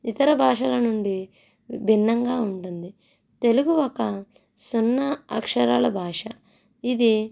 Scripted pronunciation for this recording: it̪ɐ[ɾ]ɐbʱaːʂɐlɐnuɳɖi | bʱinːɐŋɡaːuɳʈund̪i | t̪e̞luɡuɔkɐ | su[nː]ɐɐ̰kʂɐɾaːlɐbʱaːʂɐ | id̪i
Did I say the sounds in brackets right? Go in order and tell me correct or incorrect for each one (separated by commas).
correct, correct